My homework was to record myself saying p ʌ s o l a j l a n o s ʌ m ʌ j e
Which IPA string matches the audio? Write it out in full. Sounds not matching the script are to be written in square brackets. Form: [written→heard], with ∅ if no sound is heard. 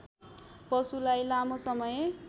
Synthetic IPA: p ʌ s [o→u] l a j l a [n→m] o s ʌ m ʌ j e

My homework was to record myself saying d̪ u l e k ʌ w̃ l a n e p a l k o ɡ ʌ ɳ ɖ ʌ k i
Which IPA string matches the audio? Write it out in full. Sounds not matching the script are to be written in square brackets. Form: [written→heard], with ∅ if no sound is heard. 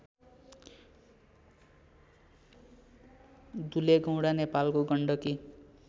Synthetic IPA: d̪ u l e [k→ɡ] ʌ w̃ [l→ɽ] a n e p a l k o ɡ ʌ ɳ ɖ ʌ k i

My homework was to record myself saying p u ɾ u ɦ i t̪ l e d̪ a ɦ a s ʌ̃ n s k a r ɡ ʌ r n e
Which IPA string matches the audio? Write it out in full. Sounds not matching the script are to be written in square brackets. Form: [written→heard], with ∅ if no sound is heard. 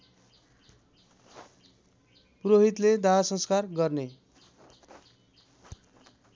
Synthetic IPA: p u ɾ [u→o] ɦ i t̪ l e d̪ a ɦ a s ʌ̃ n s k a r ɡ ʌ r n e

